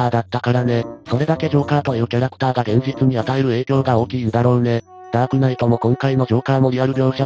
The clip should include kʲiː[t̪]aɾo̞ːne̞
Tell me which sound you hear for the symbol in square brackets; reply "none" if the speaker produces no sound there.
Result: d̪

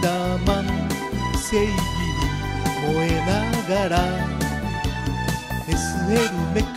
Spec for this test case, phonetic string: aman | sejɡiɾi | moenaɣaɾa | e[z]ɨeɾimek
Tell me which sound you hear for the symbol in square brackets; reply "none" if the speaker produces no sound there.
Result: s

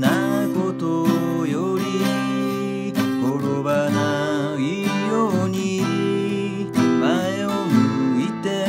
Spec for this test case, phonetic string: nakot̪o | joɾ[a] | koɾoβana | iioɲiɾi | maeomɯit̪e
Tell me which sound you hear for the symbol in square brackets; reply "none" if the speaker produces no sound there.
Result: i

